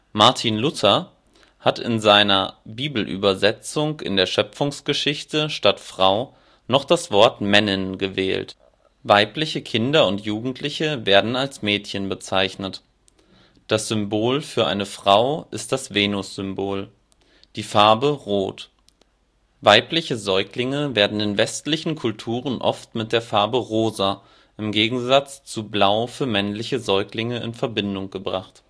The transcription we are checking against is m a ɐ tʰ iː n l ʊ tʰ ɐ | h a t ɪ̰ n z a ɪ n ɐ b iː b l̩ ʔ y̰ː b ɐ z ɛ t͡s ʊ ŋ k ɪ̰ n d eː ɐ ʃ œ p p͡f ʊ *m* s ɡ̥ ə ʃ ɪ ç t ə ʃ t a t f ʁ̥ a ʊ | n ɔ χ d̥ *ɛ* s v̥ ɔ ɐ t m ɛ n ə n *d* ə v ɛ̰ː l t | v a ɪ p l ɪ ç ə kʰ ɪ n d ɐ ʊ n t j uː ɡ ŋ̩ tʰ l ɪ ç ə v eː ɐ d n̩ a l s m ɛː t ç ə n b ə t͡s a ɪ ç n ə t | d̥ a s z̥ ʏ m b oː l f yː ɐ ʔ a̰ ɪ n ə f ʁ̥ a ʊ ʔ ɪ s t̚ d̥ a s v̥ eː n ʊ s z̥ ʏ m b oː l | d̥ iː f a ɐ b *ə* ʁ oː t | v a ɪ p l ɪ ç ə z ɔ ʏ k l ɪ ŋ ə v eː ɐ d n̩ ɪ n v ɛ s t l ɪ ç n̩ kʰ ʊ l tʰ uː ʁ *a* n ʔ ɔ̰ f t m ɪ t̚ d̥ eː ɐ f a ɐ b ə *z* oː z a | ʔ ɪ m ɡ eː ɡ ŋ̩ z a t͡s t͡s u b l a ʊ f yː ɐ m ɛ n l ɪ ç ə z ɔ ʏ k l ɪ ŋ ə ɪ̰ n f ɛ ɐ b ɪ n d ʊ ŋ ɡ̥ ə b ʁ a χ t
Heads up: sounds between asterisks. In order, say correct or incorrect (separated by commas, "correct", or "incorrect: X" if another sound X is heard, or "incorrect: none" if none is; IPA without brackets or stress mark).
incorrect: ŋ, incorrect: a, incorrect: ɡ, correct, incorrect: ə, incorrect: ʁ